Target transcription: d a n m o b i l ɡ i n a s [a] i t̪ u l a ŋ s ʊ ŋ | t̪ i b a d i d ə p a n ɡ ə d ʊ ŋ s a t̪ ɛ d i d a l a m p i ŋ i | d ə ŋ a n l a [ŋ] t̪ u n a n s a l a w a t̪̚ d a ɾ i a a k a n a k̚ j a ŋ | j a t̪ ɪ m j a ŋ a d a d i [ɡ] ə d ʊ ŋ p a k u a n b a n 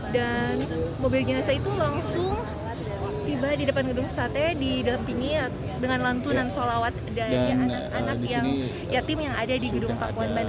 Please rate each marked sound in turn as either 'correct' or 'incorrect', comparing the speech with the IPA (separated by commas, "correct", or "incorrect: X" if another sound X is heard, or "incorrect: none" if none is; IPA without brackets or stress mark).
correct, incorrect: n, correct